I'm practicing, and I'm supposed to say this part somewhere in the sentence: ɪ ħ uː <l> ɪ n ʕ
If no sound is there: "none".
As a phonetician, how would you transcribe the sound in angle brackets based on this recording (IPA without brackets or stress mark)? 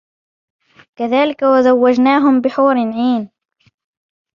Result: ɾ